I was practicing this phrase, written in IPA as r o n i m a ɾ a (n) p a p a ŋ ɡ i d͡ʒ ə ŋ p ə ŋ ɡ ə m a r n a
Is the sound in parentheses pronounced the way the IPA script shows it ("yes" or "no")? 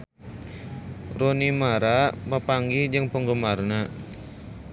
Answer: no